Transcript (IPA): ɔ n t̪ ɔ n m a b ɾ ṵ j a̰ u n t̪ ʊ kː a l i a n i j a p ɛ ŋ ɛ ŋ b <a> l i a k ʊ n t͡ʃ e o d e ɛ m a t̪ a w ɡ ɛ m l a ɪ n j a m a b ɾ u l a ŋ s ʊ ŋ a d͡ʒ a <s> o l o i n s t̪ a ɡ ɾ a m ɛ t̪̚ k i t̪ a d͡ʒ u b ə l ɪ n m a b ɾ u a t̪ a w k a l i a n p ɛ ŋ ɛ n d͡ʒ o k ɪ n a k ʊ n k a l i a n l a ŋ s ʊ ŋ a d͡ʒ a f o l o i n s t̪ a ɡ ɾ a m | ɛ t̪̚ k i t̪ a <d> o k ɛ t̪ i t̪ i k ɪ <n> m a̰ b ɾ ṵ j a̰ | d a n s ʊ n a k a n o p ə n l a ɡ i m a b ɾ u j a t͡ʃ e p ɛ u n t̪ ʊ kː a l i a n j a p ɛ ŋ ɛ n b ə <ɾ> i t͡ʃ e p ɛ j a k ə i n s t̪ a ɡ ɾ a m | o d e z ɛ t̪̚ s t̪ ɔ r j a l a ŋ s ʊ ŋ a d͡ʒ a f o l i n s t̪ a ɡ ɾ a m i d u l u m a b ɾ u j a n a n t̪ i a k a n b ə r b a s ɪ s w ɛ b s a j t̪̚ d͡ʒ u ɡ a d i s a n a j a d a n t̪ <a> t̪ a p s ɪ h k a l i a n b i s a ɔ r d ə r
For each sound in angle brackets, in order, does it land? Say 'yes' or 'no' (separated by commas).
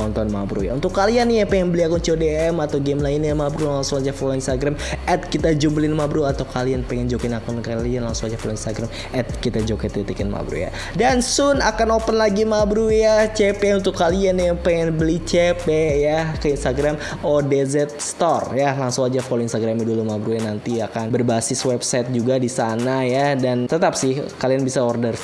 no, no, no, yes, no, no